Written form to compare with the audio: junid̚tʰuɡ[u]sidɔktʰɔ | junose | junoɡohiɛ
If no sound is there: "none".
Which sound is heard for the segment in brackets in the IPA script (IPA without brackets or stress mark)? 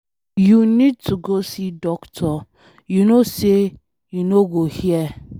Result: o